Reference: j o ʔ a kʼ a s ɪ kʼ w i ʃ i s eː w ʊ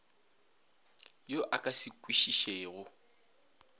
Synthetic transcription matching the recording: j o ʔ a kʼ a s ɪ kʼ w i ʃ i ʃ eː ɣ ʊ